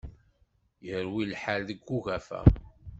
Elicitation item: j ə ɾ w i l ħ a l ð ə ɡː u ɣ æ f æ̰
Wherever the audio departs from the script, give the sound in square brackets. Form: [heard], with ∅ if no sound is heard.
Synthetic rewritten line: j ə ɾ w i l ħ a l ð ə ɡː u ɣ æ f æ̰